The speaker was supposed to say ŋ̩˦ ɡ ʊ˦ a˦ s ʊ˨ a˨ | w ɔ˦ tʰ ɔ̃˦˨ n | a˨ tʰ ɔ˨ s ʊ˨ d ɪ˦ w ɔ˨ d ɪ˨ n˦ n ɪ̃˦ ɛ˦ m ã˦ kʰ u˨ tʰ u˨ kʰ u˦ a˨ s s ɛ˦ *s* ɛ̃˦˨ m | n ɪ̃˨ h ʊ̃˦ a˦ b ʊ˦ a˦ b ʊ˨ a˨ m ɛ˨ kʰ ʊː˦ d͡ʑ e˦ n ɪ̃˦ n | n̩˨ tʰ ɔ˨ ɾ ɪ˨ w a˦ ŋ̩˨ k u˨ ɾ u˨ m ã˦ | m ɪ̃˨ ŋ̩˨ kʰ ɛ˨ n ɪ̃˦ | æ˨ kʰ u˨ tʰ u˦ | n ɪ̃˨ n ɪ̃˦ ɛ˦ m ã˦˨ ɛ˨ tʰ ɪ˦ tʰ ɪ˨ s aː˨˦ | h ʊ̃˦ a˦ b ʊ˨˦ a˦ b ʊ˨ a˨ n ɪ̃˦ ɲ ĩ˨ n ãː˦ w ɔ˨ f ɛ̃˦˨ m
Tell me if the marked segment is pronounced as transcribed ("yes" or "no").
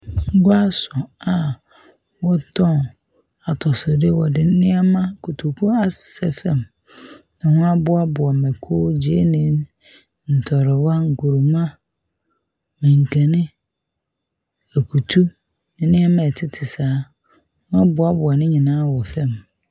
no